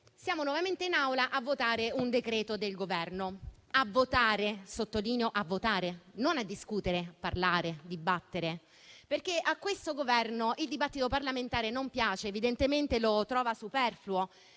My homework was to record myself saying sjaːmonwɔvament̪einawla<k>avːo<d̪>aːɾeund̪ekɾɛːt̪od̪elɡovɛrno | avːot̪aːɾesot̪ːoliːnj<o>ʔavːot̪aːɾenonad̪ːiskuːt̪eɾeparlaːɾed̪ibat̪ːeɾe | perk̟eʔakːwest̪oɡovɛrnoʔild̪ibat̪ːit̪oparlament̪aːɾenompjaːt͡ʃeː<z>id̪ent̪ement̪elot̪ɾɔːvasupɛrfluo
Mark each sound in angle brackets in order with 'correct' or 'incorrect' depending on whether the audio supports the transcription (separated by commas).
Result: incorrect, incorrect, correct, incorrect